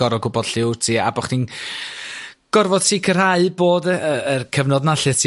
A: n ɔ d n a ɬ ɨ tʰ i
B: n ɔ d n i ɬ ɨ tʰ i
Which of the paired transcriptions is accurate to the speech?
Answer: A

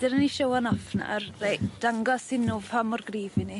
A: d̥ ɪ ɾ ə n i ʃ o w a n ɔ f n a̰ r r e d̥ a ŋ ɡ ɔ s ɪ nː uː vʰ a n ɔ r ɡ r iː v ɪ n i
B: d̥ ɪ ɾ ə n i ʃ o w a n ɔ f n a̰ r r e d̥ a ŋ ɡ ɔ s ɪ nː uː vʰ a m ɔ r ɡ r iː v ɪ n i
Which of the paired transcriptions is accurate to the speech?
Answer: B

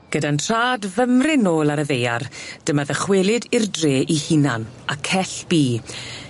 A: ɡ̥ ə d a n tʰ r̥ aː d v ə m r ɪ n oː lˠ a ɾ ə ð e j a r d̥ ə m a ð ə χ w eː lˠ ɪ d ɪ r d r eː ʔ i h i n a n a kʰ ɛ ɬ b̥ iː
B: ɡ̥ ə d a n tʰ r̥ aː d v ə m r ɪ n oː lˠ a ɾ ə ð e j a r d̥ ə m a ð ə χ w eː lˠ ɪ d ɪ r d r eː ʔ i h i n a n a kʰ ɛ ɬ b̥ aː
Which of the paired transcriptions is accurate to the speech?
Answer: A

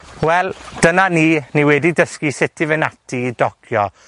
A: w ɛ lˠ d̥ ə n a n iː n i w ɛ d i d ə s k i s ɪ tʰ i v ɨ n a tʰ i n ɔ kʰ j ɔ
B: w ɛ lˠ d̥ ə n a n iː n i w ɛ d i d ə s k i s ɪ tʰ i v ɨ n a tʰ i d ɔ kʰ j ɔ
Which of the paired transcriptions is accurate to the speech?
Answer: B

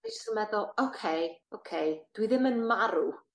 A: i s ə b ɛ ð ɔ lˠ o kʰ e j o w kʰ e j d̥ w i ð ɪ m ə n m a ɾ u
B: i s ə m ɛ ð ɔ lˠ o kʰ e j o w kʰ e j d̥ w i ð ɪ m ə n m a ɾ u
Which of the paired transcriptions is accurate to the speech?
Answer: B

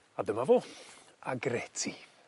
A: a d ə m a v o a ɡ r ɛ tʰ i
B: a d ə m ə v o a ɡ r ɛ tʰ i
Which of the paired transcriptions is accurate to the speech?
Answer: A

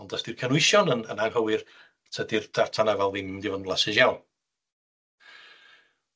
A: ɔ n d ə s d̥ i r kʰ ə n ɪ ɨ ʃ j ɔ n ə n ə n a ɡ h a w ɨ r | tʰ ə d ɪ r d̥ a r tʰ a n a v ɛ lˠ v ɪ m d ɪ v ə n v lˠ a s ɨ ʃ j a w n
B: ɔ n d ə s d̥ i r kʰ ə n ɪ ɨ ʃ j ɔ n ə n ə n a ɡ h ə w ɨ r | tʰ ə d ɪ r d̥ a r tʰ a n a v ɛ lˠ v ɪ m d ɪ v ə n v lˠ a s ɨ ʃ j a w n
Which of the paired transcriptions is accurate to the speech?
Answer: B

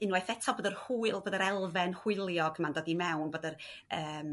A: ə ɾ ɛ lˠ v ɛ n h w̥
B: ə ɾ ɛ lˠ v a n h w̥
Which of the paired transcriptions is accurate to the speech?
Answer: A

